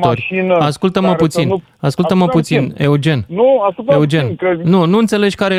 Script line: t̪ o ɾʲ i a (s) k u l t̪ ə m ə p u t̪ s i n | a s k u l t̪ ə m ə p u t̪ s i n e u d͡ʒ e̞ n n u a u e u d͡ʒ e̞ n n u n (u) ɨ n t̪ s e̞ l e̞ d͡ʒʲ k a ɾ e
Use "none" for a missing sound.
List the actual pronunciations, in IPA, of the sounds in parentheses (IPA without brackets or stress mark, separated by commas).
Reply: s, u